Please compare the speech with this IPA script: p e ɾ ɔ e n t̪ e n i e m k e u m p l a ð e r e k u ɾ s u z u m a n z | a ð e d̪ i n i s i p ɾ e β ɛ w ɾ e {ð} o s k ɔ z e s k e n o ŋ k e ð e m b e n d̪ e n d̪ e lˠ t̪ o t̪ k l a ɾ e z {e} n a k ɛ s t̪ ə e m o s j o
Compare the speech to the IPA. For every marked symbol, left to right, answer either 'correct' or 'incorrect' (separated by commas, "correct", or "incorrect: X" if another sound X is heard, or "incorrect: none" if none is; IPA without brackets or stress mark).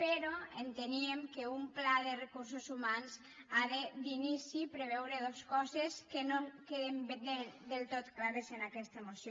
correct, correct